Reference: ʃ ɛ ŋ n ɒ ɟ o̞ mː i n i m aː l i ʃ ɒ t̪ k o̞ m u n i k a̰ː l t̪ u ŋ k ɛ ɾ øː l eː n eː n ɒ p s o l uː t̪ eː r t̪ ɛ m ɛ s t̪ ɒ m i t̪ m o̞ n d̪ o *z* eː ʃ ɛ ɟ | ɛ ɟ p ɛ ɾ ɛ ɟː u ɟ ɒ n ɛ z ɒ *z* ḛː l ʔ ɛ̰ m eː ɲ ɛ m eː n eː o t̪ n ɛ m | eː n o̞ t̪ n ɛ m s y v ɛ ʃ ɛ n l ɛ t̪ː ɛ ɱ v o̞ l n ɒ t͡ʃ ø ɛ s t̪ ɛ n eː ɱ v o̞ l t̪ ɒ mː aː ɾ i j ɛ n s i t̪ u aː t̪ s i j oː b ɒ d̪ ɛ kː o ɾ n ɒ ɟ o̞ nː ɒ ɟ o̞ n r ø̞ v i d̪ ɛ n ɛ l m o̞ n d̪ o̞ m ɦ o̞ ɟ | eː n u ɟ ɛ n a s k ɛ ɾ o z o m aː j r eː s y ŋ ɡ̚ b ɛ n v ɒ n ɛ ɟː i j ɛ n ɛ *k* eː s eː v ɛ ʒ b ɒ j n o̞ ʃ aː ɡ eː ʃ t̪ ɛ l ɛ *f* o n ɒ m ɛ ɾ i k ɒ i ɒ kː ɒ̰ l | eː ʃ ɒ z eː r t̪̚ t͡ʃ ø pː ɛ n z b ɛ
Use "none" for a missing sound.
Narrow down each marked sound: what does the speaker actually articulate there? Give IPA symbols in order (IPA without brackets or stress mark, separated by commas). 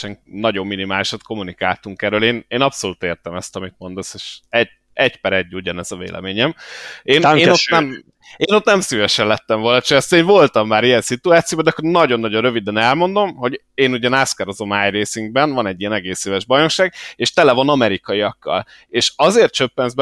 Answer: s, v, ɡ, v